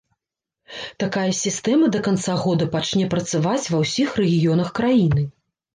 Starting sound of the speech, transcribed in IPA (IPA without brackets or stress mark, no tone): t̪